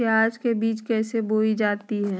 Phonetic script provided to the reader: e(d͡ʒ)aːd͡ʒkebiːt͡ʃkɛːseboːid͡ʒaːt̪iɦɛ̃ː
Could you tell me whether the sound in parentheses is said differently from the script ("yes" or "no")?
yes